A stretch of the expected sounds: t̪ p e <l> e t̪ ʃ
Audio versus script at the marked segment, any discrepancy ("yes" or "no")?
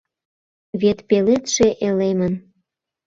no